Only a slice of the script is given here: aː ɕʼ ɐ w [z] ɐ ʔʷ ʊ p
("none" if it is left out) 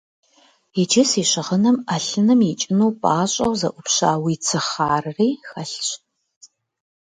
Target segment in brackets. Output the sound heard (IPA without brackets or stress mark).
z